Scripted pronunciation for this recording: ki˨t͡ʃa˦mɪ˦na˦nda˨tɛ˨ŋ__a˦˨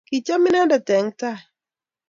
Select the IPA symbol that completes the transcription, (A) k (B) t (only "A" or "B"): B